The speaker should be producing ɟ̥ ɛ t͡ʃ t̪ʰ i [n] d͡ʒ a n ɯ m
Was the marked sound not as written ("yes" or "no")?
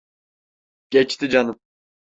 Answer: yes